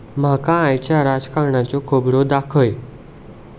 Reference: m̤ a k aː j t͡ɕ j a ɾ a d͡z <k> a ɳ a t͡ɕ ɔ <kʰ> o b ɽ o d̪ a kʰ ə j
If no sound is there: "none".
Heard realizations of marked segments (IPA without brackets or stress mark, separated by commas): k, kʰ